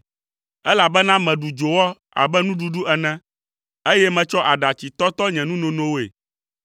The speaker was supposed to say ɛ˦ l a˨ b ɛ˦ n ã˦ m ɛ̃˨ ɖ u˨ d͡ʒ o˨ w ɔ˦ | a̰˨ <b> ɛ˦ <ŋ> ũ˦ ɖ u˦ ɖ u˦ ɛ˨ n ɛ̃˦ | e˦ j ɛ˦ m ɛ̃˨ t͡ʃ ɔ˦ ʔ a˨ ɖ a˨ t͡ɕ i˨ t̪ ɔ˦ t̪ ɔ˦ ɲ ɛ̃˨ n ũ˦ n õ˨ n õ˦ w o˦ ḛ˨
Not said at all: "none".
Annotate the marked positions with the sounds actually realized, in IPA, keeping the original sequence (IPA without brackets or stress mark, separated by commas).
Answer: b, n